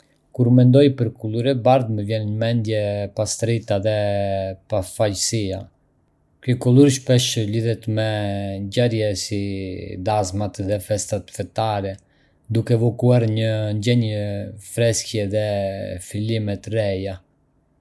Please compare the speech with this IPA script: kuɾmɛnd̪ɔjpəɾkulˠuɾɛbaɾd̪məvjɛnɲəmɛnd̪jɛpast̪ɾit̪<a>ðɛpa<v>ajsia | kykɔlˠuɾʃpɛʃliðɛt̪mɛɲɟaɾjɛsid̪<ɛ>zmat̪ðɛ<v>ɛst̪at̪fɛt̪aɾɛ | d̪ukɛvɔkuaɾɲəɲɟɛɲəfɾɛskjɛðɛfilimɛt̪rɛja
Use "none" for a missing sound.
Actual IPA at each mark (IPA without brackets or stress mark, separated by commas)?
a, f, a, f